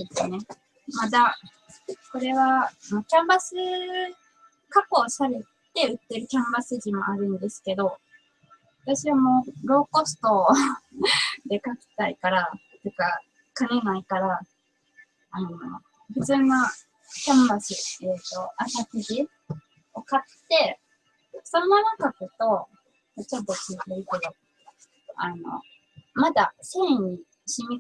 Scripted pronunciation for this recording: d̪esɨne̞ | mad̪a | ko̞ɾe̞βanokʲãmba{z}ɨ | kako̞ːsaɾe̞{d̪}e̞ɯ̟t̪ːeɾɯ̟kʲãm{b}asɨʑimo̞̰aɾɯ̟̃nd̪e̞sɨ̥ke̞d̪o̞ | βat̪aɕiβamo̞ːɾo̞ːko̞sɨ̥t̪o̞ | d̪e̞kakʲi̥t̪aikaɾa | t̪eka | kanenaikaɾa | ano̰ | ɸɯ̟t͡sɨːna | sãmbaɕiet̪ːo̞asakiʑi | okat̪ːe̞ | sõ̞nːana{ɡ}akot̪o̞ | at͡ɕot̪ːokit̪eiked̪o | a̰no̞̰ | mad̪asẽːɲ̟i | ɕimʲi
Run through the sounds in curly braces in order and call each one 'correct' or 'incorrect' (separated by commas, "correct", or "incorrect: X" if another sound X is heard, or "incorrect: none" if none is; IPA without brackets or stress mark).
incorrect: s, incorrect: t̪, correct, incorrect: k